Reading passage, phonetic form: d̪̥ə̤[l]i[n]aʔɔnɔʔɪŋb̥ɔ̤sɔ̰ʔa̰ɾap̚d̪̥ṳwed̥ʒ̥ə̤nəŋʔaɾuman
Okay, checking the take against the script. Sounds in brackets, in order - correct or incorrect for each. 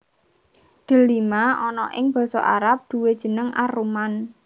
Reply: correct, incorrect

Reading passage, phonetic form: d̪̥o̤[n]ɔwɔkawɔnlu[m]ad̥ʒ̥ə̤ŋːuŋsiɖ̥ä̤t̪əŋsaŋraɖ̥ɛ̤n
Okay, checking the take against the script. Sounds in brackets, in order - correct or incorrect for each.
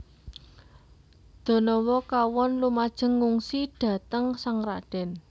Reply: correct, correct

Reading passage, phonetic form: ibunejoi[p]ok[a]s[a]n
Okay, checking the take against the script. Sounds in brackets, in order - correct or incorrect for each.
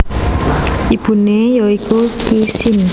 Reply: incorrect, incorrect, incorrect

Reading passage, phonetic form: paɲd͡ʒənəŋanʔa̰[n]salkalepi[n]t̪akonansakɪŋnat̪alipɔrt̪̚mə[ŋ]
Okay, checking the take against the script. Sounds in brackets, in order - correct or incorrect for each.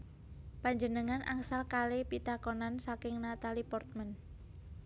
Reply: incorrect, incorrect, incorrect

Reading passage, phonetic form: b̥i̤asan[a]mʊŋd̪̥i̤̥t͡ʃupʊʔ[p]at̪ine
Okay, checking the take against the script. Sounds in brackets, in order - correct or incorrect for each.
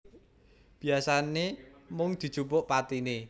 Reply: incorrect, correct

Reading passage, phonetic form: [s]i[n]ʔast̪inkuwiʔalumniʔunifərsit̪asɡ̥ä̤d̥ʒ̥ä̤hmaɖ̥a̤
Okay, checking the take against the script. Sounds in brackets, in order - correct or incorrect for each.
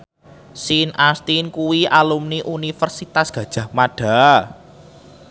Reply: correct, correct

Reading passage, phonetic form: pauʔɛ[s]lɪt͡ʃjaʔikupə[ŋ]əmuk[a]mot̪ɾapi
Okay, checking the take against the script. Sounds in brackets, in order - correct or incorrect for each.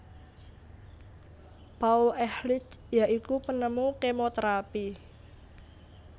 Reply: incorrect, incorrect, incorrect

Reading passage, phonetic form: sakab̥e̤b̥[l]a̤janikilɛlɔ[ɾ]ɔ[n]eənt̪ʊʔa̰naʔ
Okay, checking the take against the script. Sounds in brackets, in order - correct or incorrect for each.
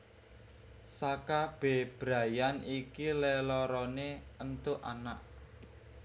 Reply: incorrect, correct, correct

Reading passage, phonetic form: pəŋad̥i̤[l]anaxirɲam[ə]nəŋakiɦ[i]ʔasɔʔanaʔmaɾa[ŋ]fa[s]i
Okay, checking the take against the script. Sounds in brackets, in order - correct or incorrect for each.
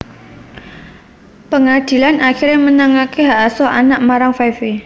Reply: correct, correct, incorrect, correct, incorrect

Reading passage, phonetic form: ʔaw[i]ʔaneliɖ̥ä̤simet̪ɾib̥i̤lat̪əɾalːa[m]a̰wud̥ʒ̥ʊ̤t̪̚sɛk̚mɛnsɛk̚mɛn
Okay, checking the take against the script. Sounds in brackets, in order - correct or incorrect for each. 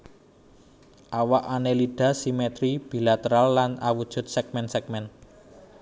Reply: incorrect, incorrect

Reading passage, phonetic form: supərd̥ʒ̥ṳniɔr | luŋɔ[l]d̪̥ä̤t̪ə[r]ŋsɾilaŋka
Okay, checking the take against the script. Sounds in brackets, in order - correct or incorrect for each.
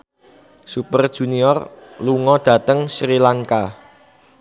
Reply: incorrect, incorrect

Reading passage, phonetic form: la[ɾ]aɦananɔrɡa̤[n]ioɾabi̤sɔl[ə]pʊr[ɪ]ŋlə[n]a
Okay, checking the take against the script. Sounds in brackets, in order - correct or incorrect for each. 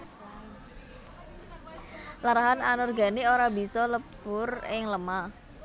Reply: correct, correct, correct, correct, incorrect

